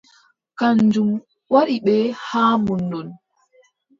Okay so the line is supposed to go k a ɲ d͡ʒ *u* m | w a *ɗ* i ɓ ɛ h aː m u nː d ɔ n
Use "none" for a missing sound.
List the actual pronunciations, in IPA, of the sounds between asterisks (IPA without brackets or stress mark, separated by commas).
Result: u, ɗ